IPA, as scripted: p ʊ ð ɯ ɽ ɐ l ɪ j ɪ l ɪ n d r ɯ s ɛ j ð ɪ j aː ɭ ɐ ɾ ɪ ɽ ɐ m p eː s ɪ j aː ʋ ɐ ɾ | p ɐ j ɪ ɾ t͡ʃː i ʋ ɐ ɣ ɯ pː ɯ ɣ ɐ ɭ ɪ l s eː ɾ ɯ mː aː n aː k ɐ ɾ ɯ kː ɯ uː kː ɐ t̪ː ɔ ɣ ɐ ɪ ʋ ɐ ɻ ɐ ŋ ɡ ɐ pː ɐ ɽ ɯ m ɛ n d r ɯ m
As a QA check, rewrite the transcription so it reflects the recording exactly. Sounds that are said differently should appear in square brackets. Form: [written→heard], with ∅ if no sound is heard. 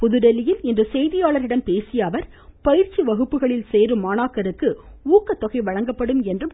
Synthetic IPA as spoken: p ʊ ð ɯ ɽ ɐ l ɪ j ɪ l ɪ n d r ɯ s ɛ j ð ɪ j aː ɭ ɐ ɾ ɪ ɽ ɐ m p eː s ɪ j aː ʋ ɐ ɾ | p ɐ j ɪ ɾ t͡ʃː i ʋ ɐ ɣ ɯ pː ɯ ɣ ɐ ɭ ɪ l s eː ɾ ɯ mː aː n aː k ɐ ɾ ɯ kː ɯ uː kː ɐ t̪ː ɔ ɣ ɐ ɪ ʋ ɐ ɻ ɐ ŋ ɡ ɐ pː ɐ ɽ ɯ m ɛ n d r ɯ m

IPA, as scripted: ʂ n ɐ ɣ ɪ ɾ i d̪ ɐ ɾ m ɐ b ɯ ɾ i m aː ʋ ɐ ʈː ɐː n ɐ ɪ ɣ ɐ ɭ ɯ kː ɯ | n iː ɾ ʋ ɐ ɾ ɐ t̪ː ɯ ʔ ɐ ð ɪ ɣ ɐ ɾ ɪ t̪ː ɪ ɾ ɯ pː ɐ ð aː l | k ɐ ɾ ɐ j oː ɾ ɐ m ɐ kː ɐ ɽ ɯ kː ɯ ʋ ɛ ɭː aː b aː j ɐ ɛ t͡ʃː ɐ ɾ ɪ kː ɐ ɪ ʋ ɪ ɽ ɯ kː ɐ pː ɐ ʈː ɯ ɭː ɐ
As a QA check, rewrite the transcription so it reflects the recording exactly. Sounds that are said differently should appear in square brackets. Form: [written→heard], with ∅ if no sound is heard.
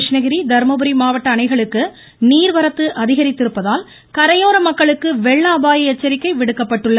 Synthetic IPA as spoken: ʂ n ɐ ɣ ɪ ɾ i d̪ ɐ ɾ m ɐ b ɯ ɾ i m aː ʋ ɐ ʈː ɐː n ɐ ɪ ɣ ɐ ɭ ɯ kː ɯ | n iː ɾ ʋ ɐ ɾ ɐ t̪ː ɯ ʔ ɐ ð ɪ ɣ ɐ ɾ ɪ t̪ː ɪ ɾ ɯ pː ɐ ð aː l | k ɐ ɾ ɐ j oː ɾ ɐ m ɐ kː ɐ [ɽ→ɭ] ɯ kː ɯ ʋ ɛ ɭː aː b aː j ɐ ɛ t͡ʃː ɐ ɾ ɪ kː ɐ ɪ ʋ ɪ ɽ ɯ kː ɐ pː ɐ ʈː ɯ ɭː ɐ

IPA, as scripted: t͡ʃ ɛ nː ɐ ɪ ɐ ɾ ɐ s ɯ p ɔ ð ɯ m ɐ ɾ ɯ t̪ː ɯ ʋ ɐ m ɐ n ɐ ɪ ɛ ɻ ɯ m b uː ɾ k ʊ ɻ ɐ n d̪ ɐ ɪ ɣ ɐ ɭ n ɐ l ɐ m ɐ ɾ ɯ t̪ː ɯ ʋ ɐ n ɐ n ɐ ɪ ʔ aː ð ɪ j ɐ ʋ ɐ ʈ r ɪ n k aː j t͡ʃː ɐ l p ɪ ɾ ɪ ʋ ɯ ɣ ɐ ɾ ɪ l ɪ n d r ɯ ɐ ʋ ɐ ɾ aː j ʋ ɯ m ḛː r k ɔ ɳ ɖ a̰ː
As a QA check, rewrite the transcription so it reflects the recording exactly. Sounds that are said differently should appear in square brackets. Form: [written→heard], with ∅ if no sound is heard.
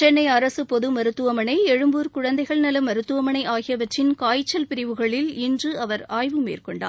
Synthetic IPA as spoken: t͡ʃ ɛ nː ɐ ɪ ɐ ɾ ɐ s ɯ p ɔ ð ɯ m ɐ ɾ ɯ t̪ː ɯ ʋ ɐ m ɐ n ɐ ɪ ɛ ɻ ɯ m b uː ɾ k ʊ ɻ ɐ n d̪ ɐ ɪ ɣ ɐ ɭ n ɐ l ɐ m ɐ ɾ ɯ t̪ː ɯ ʋ ɐ [n→m] ɐ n ɐ ɪ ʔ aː [ð→ɣ] ɪ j ɐ ʋ ɐ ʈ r ɪ n k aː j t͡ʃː ɐ l p ɪ ɾ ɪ ʋ ɯ ɣ ɐ [ɾ→ɭ] ɪ l ɪ n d r ɯ ɐ ʋ ɐ ɾ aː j ʋ ɯ m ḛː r k ɔ ɳ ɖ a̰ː

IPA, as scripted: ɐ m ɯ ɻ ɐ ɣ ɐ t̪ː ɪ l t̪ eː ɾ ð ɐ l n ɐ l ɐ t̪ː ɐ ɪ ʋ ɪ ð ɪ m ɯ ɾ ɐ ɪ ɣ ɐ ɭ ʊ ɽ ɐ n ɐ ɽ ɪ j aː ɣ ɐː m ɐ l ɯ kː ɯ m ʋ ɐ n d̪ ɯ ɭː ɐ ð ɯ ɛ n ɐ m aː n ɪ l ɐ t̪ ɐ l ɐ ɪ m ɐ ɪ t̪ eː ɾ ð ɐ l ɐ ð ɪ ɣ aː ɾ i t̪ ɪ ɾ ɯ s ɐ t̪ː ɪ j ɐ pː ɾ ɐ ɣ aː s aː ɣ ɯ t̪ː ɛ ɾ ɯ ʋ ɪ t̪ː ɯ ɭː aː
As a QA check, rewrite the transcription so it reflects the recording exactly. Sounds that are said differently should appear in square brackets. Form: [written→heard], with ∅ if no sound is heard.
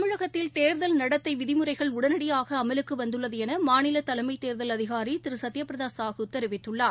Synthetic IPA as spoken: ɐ m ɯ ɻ ɐ ɣ ɐ t̪ː ɪ l t̪ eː ɾ ð ɐ l n ɐ [l→ɽ] ɐ t̪ː ɐ ɪ ʋ ɪ ð ɪ m ɯ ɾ ɐ ɪ ɣ ɐ ɭ ʊ ɽ ɐ n ɐ ɽ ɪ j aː ɣ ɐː m ɐ l ɯ kː ɯ [m→∅] ʋ ɐ n d̪ ɯ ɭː ɐ ð ɯ ɛ n ɐ m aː n ɪ l ɐ t̪ ɐ l ɐ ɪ m ɐ ɪ t̪ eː ɾ ð ɐ l ɐ ð ɪ ɣ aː ɾ i t̪ ɪ ɾ ɯ s ɐ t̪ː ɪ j ɐ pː ɾ ɐ [ɣ→ð] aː s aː ɣ ɯ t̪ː ɛ ɾ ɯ ʋ ɪ t̪ː ɯ ɭː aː

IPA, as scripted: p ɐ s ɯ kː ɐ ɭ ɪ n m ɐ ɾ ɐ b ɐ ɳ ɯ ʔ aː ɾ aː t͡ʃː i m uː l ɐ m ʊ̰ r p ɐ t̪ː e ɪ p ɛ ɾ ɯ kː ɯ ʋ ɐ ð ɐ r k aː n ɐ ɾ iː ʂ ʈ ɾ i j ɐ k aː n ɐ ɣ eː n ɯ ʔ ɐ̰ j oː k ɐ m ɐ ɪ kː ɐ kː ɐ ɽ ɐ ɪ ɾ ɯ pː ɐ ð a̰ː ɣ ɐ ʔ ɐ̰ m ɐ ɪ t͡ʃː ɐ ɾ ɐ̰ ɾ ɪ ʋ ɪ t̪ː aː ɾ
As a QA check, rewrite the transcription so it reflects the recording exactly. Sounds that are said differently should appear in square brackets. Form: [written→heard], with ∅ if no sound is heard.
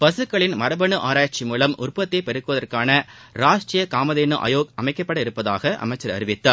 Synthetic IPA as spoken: p ɐ s ɯ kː ɐ ɭ ɪ n m ɐ ɾ ɐ b ɐ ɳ ɯ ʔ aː ɾ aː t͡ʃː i m uː l ɐ m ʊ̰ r p ɐ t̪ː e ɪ p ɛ ɾ ɯ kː ɯ ʋ ɐ ð ɐ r k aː n ɐ ɾ [iː→aː] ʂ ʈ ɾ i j ɐ k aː [n→m] ɐ [ɣ→ð] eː n ɯ ʔ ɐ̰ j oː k ɐ m ɐ ɪ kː ɐ [kː→pː] ɐ ɽ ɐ ɪ ɾ ɯ pː ɐ ð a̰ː ɣ ɐ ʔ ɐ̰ m ɐ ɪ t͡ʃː ɐ ɾ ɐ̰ ɾ ɪ ʋ ɪ t̪ː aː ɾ

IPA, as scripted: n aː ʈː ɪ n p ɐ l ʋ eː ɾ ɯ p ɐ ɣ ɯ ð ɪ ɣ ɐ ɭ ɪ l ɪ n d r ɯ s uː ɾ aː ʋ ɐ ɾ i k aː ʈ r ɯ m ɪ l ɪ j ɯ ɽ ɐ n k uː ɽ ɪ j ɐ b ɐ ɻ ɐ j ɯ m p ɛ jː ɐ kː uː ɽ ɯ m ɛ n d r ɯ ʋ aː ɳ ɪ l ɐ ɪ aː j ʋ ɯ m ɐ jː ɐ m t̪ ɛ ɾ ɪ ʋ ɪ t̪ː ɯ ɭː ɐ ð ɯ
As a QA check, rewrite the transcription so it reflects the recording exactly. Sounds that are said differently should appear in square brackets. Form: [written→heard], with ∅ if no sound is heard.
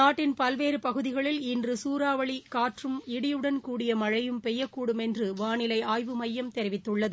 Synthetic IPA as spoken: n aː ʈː ɪ n p ɐ l ʋ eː ɾ ɯ p ɐ ɣ ɯ ð ɪ ɣ ɐ ɭ ɪ l ɪ n d r ɯ s uː ɾ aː ʋ ɐ [ɾ→ɭ] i k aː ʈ r ɯ m ɪ [l→ɽ] ɪ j ɯ ɽ ɐ n k uː ɽ ɪ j ɐ [b→m] ɐ ɻ ɐ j ɯ m p ɛ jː ɐ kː uː ɽ ɯ m ɛ n d r ɯ ʋ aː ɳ ɪ l ɐ ɪ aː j ʋ ɯ m ɐ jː ɐ m t̪ ɛ ɾ ɪ ʋ ɪ t̪ː ɯ ɭː ɐ ð ɯ

